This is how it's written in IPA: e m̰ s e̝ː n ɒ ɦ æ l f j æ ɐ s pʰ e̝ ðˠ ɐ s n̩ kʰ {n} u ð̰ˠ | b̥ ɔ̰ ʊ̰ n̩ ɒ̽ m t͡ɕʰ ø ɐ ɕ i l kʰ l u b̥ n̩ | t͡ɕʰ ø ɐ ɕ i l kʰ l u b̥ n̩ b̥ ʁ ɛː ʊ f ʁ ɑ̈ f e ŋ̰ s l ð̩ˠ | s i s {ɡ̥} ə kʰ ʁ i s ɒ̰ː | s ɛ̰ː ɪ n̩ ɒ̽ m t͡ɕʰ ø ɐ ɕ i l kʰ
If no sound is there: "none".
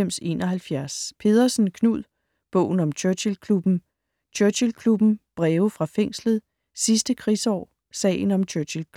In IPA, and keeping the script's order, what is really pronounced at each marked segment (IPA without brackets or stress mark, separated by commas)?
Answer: n, d̥